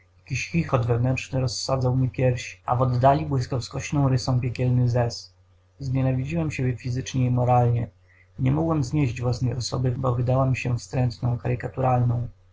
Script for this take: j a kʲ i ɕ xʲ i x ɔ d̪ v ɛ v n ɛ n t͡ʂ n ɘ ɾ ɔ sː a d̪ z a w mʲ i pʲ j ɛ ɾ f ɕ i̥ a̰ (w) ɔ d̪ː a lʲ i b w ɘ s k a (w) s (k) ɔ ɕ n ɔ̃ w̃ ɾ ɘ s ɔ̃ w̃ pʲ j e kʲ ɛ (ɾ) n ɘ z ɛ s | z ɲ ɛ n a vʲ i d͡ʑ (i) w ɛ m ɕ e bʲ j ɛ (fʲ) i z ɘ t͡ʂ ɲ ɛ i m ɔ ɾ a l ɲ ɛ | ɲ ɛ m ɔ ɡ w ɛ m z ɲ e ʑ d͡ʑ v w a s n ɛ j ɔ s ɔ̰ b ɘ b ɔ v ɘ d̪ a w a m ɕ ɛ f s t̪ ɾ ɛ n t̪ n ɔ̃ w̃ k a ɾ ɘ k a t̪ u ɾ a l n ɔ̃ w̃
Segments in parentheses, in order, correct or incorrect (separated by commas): incorrect, correct, correct, incorrect, correct, correct